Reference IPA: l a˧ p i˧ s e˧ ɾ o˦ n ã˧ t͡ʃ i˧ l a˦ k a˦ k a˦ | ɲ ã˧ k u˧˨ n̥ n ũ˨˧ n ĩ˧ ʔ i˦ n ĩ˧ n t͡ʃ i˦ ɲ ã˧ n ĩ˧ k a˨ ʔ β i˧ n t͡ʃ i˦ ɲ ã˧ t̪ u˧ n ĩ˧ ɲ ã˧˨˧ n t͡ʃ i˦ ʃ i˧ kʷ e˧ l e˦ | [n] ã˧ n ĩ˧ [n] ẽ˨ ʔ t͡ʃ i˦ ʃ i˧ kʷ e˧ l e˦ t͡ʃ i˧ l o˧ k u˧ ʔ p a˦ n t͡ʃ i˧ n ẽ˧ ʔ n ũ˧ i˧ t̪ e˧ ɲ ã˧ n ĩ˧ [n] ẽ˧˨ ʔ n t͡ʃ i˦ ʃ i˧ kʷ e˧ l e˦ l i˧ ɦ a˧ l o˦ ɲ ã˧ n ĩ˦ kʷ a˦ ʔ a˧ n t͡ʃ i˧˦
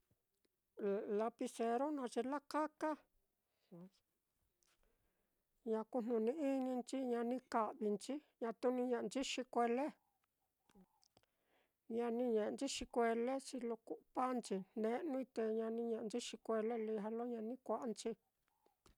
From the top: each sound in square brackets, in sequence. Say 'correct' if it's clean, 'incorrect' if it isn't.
incorrect, incorrect, incorrect

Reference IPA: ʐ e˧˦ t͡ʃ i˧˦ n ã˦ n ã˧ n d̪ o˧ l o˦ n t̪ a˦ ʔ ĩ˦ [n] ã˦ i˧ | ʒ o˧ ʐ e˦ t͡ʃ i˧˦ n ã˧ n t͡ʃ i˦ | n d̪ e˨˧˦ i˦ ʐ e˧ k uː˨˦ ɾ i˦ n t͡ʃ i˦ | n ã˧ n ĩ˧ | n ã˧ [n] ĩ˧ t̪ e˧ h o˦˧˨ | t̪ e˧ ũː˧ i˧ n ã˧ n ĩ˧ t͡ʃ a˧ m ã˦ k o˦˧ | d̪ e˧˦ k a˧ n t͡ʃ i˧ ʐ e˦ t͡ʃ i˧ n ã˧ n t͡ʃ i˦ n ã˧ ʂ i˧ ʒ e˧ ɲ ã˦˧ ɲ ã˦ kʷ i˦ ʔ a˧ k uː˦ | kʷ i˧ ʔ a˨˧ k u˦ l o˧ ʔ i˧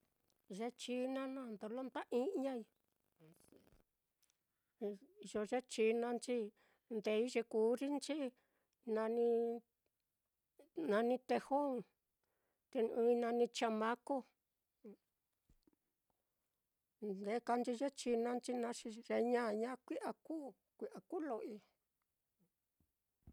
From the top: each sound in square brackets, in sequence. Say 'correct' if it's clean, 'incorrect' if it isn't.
incorrect, correct

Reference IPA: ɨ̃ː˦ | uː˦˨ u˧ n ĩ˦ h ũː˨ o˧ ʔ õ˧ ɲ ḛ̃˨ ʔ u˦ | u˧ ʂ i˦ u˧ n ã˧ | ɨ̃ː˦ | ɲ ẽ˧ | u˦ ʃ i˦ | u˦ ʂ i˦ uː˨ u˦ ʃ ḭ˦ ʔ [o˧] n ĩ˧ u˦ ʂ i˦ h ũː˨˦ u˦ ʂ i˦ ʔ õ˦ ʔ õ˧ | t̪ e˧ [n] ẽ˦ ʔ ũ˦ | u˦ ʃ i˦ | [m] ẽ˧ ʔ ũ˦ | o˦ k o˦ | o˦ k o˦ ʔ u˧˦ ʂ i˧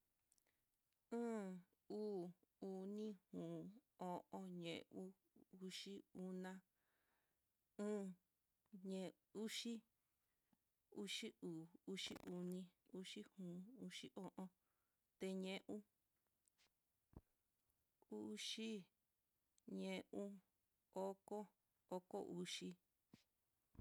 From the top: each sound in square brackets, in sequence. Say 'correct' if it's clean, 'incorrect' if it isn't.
incorrect, incorrect, incorrect

